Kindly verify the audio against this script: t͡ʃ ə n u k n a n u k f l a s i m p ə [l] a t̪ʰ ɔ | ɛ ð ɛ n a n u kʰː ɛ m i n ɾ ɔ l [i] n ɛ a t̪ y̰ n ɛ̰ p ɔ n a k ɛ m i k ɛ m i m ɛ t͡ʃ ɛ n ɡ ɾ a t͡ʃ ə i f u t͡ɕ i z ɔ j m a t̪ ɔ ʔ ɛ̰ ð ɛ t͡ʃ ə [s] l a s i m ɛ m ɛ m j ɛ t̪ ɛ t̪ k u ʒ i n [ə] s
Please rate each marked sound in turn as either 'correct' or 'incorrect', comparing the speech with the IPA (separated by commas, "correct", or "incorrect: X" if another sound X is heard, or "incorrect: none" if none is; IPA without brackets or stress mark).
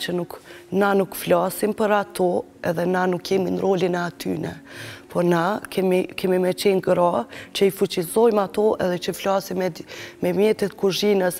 incorrect: ɾ, correct, incorrect: f, correct